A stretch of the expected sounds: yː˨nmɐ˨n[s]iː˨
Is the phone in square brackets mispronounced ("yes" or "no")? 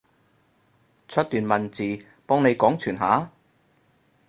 yes